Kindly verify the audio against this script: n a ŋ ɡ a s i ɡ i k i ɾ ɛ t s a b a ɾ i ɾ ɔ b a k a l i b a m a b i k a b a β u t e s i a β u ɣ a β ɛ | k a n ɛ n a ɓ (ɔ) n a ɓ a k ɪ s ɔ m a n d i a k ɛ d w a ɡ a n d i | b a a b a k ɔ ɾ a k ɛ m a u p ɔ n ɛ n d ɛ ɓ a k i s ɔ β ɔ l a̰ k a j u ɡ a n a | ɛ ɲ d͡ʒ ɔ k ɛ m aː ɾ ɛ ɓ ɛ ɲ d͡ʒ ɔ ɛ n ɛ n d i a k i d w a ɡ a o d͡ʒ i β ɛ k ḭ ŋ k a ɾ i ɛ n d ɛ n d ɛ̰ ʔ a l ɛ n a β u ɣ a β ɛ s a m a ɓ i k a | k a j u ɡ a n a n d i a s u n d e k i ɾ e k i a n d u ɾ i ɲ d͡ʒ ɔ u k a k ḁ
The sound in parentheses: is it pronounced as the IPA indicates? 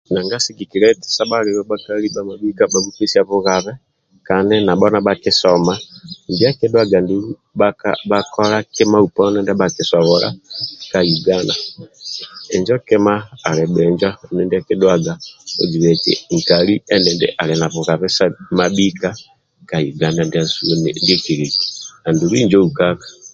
yes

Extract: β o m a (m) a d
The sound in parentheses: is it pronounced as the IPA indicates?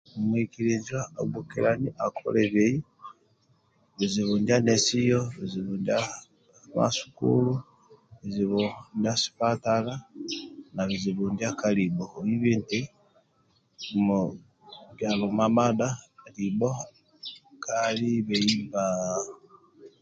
yes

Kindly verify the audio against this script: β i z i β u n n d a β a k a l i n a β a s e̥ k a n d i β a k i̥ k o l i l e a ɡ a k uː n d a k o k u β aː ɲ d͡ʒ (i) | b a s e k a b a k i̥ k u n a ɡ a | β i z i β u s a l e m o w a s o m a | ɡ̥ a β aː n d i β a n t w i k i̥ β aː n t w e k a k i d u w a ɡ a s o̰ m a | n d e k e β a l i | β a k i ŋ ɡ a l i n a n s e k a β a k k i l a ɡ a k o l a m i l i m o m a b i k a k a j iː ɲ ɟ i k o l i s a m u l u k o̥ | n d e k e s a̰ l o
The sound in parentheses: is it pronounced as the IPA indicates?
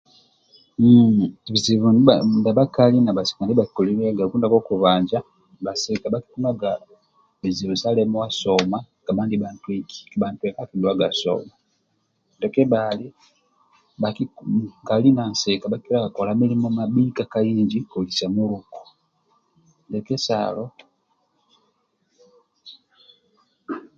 no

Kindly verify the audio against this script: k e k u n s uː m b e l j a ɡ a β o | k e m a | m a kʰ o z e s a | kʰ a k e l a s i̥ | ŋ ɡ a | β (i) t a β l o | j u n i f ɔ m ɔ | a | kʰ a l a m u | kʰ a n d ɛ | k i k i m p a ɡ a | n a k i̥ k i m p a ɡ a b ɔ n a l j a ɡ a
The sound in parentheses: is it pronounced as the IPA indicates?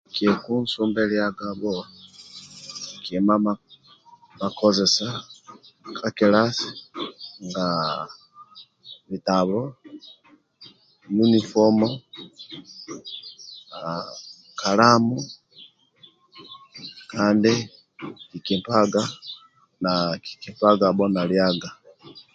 yes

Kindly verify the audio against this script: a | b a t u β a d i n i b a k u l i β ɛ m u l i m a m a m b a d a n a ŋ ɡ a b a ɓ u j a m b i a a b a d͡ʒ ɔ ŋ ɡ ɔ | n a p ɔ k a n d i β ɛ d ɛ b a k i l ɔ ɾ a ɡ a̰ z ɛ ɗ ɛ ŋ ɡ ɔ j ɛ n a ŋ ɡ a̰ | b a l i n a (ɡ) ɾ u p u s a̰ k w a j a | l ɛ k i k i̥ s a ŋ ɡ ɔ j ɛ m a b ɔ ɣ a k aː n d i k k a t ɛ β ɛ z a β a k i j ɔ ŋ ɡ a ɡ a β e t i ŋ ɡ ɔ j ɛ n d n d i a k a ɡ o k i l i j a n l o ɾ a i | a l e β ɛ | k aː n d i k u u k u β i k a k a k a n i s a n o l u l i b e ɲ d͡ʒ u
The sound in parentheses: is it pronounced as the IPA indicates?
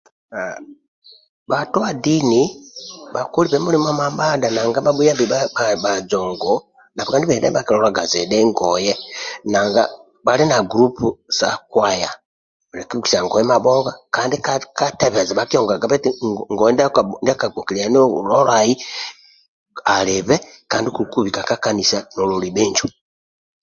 yes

